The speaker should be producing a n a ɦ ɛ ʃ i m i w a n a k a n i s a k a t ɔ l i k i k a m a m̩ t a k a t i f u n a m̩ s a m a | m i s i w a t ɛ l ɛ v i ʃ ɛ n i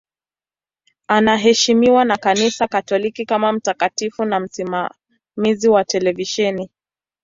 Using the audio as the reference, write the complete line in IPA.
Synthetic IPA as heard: a n a ɦ ɛ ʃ i m i w a n a k a n i s a k a t ɔ l i k i k a m a m̩ t a k a t i f u n a m̩ s i m a | m i z i w a t ɛ l ɛ v i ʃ ɛ n i